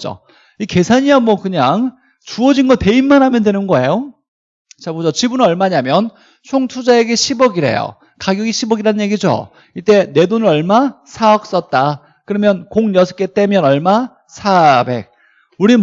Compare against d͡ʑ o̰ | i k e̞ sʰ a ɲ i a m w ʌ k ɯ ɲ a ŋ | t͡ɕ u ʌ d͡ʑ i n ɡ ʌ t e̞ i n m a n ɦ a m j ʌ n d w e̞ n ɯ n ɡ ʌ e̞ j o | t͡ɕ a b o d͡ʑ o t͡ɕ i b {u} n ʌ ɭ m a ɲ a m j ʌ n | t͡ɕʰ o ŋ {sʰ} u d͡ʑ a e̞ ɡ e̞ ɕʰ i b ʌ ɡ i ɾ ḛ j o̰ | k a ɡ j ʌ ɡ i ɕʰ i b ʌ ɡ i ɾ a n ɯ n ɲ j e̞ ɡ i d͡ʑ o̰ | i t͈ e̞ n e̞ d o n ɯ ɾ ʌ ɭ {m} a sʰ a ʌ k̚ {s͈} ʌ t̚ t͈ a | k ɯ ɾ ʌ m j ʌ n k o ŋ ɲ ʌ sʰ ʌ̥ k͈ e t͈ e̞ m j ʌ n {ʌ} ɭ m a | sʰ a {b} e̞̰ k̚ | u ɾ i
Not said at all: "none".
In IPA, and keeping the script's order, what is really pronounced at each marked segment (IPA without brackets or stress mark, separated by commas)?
u, tʰ, m, s͈, ʌ, b